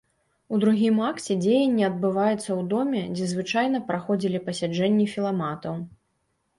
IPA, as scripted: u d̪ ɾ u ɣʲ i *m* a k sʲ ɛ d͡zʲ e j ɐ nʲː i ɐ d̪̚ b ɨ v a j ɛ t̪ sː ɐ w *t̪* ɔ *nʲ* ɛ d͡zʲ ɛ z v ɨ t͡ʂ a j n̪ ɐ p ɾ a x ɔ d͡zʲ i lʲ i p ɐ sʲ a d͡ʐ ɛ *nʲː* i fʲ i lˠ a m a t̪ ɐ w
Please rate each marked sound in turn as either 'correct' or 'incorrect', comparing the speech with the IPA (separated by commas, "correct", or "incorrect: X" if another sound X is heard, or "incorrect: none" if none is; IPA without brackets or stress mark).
correct, incorrect: d̪, incorrect: mʲ, correct